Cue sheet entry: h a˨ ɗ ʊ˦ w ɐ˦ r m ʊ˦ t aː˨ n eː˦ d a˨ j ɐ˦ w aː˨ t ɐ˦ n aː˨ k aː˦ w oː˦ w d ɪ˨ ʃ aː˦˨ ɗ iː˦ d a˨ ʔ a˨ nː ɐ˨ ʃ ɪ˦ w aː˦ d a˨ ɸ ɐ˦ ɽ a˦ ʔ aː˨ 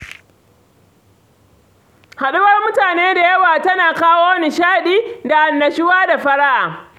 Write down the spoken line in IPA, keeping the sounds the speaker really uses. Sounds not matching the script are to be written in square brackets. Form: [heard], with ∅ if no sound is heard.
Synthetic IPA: h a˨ ɗ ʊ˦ w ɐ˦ r m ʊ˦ t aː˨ n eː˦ d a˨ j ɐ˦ w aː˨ t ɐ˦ n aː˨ k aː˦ w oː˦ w [n] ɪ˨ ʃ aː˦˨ ɗ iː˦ d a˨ ʔ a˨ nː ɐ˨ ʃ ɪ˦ w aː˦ d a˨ ɸ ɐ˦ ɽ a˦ ʔ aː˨

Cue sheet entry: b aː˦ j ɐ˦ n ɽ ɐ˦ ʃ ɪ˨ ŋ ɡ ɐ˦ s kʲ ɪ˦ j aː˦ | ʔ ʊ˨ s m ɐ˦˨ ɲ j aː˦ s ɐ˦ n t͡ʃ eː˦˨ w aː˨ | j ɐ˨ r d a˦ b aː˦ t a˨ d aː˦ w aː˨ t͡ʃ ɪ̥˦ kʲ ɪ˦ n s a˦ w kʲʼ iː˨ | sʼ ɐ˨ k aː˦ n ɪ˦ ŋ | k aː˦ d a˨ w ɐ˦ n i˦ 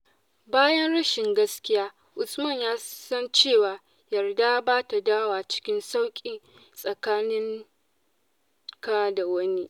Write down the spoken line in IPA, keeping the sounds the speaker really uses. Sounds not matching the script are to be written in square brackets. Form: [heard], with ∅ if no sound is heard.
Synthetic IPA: b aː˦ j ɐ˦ n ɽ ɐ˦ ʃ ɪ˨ ŋ ɡ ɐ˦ s kʲ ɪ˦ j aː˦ | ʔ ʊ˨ s m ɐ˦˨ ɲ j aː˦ s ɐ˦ n t͡ʃ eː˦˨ w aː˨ | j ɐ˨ r d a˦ b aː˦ t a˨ d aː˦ w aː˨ t͡ʃ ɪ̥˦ kʲ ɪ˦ n s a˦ w kʲʼ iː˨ | sʼ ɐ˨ k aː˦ n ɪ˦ ŋ | k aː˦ d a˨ w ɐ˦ n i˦

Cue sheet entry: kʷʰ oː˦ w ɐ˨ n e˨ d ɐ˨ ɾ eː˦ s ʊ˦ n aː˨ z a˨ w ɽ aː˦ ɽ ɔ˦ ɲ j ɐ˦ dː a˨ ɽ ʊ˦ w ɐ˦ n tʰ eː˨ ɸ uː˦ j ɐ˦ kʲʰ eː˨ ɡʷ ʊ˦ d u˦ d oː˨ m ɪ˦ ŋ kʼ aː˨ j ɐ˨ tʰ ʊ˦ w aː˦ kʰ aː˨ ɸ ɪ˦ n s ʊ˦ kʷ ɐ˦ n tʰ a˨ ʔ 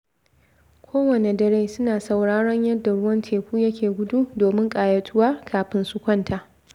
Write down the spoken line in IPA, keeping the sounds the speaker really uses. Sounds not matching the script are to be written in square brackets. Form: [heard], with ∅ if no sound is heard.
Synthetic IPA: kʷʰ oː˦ w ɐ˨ n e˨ d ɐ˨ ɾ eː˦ s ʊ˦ n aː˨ [s] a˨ w ɽ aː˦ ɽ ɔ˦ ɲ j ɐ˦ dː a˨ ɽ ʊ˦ w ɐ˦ n tʰ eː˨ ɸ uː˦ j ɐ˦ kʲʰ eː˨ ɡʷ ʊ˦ d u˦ d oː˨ m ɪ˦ ŋ kʼ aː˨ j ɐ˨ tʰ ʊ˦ w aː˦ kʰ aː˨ ɸ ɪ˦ n s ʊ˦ kʷ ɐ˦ n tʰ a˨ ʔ

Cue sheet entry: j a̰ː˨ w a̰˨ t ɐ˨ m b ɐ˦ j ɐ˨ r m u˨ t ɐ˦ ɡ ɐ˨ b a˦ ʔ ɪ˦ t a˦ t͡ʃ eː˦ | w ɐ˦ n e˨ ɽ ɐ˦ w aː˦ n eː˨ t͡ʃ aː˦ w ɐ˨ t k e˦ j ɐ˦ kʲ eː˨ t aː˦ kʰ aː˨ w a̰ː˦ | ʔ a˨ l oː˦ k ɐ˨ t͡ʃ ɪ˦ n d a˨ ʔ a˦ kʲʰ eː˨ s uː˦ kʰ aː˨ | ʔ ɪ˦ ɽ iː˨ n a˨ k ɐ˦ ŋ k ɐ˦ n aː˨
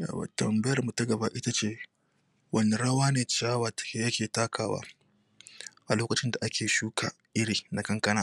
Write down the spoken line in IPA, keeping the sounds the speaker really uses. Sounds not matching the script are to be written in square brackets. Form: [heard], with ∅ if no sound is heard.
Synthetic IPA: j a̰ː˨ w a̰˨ t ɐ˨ m b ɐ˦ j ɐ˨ r m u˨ t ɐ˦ ɡ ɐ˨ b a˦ ʔ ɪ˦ t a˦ t͡ʃ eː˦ | w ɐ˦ n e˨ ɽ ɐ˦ w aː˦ n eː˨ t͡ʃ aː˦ w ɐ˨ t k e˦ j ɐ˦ kʲ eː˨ t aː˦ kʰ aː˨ w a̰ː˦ | ʔ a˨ l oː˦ k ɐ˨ t͡ʃ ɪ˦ n d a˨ ʔ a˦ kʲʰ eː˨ [ʃ] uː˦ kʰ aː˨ | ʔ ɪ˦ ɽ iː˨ n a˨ k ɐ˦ ŋ k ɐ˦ n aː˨

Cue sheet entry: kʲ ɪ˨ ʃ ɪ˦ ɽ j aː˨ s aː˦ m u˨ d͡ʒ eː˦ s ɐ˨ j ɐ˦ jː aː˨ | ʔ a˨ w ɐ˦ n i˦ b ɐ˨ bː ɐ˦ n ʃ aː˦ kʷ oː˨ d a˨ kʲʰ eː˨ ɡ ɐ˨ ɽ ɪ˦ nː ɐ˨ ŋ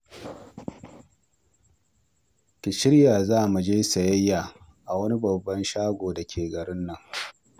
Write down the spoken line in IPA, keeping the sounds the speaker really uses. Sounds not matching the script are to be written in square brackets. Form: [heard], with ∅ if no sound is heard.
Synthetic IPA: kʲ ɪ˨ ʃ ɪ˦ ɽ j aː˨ [z] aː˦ m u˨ d͡ʒ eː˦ s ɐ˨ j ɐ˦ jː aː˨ | ʔ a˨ w ɐ˦ n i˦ b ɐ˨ bː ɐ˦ n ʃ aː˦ [ɡʷ] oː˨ d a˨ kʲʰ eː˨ ɡ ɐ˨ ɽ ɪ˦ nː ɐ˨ ŋ

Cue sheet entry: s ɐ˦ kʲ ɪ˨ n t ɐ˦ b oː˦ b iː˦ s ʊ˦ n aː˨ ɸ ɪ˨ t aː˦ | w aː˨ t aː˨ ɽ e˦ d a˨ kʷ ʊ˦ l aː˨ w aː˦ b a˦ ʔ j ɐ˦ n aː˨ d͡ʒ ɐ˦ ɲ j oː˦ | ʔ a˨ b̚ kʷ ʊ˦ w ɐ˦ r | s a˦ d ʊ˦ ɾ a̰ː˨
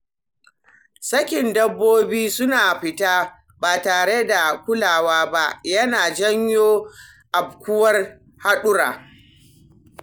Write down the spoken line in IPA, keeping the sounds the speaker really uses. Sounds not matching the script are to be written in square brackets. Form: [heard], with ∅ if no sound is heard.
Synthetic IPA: s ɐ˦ kʲ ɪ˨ n [d] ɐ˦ [bː] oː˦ b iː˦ s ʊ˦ n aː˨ ɸ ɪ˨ t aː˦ | [b] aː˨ t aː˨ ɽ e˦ d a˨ kʷ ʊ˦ l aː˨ w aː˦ b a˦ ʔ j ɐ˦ n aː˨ d͡ʒ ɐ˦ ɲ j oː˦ | ʔ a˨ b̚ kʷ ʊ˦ w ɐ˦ r | [h] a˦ [ɗ] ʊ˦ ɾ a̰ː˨

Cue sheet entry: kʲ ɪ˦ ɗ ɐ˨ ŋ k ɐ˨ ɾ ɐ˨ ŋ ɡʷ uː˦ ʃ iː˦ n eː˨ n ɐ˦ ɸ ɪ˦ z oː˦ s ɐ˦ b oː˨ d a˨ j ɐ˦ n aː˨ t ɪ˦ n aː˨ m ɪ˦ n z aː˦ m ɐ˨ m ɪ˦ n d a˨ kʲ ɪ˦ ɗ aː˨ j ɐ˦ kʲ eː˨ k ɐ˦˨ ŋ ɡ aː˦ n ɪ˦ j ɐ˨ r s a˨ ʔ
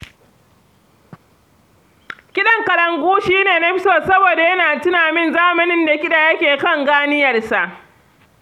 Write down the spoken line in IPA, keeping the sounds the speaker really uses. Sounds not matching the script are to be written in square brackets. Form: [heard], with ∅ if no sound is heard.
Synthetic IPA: kʲ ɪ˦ ɗ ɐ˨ ŋ k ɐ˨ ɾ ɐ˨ ŋ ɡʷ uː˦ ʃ iː˦ n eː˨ n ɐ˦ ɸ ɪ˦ [s] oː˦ s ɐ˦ b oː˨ d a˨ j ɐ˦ n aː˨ t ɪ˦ n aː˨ m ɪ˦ n z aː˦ m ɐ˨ [n] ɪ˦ n d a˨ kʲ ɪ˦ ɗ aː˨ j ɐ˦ kʲ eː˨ k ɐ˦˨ ŋ ɡ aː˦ n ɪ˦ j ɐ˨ r s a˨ ʔ

